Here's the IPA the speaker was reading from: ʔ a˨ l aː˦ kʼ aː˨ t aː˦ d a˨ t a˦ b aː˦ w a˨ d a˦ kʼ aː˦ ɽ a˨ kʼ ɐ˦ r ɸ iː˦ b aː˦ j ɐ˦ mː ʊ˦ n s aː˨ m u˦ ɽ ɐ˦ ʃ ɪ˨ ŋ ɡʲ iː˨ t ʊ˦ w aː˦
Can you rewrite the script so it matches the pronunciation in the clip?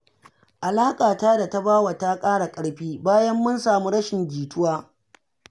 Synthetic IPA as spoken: ʔ a˨ l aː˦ kʼ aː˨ t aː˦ d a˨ t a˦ b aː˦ w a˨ t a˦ kʼ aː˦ ɽ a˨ kʼ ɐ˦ ɽ ɸ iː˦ b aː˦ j ɐ˦ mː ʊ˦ n s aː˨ m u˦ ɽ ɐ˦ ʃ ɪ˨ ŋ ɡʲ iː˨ t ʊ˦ w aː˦